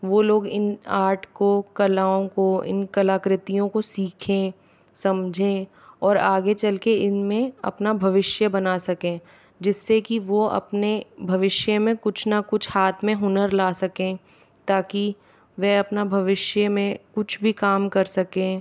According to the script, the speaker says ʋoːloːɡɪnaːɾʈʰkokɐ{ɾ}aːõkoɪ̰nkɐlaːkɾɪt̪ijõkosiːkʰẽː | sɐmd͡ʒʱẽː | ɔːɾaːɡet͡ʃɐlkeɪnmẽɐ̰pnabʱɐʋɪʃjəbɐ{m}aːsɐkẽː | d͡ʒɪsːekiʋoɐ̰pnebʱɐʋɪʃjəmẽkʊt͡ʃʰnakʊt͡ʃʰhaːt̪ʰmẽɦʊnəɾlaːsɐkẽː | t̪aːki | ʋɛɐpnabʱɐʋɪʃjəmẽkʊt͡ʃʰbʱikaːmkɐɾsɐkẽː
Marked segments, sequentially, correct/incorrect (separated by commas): incorrect, incorrect